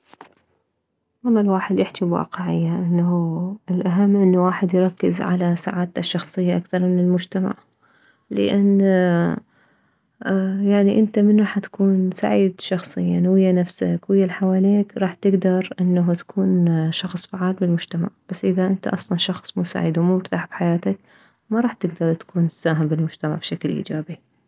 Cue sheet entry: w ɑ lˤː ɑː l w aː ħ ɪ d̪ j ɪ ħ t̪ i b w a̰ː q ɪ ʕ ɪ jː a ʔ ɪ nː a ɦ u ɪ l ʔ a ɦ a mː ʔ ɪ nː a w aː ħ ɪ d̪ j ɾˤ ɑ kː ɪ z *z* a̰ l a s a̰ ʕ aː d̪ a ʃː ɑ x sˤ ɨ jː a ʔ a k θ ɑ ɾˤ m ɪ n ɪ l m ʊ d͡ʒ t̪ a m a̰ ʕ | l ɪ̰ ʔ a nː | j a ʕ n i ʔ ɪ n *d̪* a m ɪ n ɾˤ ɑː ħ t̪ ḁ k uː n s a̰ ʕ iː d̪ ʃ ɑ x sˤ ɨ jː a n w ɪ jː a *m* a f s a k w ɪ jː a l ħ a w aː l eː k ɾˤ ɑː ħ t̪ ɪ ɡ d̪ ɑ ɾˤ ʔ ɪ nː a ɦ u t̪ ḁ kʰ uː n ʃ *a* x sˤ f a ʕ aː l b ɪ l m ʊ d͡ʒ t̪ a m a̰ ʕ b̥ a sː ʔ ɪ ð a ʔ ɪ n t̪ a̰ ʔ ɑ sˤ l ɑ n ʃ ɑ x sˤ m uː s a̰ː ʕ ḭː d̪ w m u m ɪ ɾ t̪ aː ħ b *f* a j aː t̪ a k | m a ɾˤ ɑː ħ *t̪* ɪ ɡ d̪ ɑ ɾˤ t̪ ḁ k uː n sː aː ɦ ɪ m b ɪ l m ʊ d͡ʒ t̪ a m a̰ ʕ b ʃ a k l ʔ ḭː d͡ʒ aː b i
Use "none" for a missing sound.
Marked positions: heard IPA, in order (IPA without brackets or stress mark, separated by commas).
ʕ, t̪, n, ɑ, ħ, t̪